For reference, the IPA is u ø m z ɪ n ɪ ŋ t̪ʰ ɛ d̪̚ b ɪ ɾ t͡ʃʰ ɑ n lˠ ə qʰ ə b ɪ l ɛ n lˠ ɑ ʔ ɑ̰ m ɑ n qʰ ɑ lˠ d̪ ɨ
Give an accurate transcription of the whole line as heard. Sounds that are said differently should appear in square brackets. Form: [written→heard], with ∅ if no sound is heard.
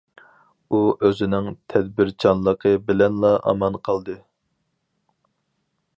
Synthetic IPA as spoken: u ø [m→∅] z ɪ n ɪ ŋ t̪ʰ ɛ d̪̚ b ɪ ɾ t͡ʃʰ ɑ n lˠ ə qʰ ə b ɪ l ɛ n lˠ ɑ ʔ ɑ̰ m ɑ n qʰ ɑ lˠ d̪ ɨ